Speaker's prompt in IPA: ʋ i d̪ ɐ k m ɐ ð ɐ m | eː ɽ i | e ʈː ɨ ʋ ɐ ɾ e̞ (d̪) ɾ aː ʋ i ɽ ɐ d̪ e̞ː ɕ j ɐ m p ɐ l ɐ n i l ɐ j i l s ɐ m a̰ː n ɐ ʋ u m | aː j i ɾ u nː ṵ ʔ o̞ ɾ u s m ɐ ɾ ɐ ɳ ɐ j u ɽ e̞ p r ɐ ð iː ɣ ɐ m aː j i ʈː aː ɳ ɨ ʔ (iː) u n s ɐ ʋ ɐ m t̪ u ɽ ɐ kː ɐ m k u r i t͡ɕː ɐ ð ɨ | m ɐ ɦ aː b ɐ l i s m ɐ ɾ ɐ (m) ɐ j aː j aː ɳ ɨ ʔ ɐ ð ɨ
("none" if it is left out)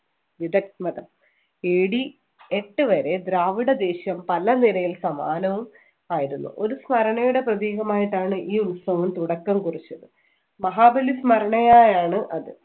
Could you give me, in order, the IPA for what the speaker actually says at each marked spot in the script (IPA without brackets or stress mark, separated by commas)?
d̪, iː, ɳ